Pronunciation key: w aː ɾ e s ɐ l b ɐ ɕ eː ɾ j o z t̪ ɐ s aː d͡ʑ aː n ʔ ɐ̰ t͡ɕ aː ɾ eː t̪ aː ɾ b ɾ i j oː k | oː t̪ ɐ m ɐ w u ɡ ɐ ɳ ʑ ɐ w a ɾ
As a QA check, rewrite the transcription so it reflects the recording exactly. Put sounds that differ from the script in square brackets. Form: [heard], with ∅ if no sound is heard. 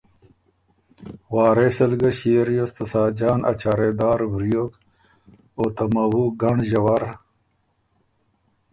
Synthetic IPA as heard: w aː ɾ e s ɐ l [ɡ] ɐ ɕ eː ɾ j o [s] t̪ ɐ s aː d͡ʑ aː n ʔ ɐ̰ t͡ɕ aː ɾ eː [d̪] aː ɾ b ɾ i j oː k | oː t̪ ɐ m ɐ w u ɡ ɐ ɳ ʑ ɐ w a ɾ